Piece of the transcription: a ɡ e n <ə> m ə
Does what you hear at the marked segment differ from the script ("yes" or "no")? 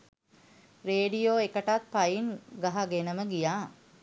no